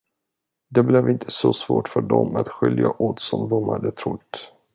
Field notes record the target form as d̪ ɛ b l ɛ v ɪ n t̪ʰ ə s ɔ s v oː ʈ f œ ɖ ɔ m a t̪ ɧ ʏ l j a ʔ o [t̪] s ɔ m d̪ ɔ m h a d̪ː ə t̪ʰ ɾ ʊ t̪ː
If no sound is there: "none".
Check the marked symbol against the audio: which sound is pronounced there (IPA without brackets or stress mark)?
t̪